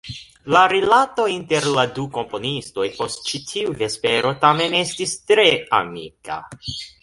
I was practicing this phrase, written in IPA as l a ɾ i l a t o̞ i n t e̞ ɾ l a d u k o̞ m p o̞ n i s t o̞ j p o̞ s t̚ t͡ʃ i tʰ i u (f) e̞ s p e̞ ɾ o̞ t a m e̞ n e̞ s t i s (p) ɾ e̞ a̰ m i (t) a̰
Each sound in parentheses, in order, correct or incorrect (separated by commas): incorrect, incorrect, incorrect